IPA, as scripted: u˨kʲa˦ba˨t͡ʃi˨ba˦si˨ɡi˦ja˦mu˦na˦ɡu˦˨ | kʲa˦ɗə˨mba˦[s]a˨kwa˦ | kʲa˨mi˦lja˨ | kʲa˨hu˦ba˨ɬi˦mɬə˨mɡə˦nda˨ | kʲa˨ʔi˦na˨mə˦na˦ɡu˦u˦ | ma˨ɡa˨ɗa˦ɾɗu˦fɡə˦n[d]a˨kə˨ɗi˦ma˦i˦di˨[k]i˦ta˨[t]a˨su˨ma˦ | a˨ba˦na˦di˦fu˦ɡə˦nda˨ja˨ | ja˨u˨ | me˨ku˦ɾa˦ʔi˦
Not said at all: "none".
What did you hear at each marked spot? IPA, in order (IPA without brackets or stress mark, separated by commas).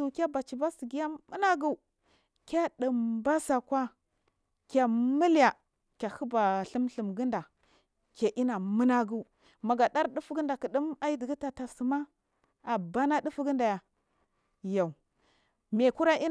s, d, ɡ, t